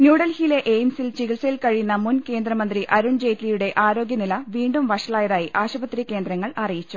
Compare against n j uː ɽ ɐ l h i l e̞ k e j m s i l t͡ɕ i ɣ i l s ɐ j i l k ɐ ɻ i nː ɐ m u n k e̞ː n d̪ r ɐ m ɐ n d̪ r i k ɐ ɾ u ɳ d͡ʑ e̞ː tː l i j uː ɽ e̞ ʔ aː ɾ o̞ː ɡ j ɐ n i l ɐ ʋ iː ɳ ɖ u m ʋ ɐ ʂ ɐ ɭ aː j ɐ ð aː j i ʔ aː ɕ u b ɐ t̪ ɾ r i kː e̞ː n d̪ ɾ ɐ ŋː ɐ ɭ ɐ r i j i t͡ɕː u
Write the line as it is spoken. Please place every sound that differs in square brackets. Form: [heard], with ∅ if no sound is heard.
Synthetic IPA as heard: n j uː ɽ ɐ l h i l e̞ [ʔ] e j m s i l t͡ɕ i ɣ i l s ɐ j i l k ɐ ɻ i nː ɐ m u n k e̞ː n d̪ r ɐ m ɐ n d̪ r i [ʔ] ɐ ɾ u ɳ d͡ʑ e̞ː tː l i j [u] ɽ e̞ ʔ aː ɾ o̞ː ɡ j ɐ n i l ɐ ʋ iː ɳ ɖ u m ʋ ɐ ʂ ɐ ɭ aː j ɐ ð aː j i ʔ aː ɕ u b ɐ t̪ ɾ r i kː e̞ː n d̪ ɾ ɐ ŋː ɐ ɭ ɐ r i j i t͡ɕː u